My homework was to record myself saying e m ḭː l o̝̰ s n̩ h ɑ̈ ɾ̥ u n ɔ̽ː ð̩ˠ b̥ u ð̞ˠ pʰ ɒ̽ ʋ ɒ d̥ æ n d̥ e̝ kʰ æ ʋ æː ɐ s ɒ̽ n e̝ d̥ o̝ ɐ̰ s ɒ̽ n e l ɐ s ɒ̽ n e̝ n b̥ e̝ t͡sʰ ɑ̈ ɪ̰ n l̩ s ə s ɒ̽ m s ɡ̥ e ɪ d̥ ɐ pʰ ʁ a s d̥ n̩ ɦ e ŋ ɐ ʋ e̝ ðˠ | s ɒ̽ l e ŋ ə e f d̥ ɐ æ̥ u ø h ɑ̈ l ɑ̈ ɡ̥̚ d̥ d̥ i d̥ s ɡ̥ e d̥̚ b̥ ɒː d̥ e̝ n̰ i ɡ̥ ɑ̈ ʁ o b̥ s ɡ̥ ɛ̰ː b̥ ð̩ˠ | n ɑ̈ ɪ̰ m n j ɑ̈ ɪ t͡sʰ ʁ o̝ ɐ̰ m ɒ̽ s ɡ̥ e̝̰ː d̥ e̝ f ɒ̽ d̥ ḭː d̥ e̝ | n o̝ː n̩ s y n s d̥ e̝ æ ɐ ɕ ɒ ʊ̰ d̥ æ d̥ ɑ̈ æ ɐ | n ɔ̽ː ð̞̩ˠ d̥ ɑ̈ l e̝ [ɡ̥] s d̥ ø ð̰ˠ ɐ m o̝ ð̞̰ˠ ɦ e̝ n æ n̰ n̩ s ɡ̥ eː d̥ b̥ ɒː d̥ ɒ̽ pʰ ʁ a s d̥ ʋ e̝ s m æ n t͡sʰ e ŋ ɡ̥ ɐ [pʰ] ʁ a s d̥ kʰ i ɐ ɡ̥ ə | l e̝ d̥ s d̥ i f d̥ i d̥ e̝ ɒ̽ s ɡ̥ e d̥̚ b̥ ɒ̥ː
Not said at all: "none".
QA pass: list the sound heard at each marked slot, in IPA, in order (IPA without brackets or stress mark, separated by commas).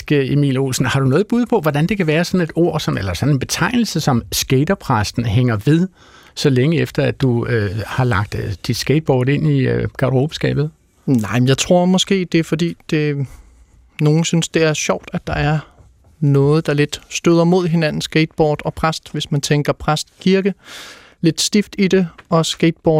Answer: d̥, pʰ